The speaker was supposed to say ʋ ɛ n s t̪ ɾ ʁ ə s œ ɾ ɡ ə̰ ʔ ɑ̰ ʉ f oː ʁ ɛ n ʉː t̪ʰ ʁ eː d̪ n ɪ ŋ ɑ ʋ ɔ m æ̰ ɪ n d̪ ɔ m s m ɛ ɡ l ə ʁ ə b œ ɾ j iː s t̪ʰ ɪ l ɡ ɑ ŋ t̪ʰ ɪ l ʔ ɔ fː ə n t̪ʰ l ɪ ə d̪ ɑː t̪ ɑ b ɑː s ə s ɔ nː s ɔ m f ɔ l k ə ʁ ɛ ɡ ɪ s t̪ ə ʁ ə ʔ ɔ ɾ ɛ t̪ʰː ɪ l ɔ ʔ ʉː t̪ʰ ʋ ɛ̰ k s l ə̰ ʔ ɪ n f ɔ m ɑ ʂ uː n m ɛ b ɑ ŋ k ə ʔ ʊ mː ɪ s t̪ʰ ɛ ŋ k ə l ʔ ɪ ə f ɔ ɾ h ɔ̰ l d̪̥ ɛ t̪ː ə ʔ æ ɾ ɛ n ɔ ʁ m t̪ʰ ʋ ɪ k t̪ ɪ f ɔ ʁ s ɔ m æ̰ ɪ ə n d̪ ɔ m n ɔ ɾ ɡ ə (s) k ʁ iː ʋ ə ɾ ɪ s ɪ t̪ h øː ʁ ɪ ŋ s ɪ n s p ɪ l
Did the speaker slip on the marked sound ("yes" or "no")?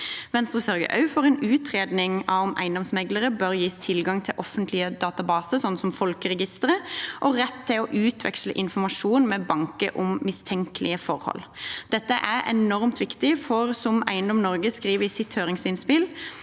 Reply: no